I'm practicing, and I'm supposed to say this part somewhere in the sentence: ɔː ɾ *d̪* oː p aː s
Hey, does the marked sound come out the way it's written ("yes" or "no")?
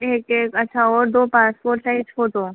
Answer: yes